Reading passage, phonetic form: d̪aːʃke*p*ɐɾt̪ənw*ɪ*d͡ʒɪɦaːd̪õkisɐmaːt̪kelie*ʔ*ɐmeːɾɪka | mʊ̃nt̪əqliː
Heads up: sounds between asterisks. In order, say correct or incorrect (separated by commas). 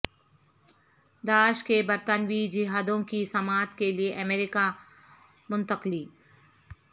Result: incorrect, incorrect, correct